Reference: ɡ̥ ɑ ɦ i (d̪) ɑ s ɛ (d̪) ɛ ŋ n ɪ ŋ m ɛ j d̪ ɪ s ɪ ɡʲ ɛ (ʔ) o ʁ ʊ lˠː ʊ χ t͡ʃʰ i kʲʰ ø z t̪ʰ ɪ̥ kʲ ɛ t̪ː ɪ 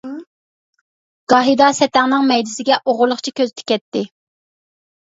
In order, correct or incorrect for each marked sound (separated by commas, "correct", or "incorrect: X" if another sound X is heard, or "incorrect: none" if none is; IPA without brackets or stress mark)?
correct, incorrect: t̪, correct